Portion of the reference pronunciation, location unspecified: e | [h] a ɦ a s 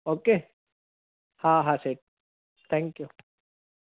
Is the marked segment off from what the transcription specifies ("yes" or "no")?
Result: no